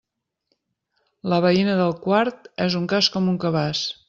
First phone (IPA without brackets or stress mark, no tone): l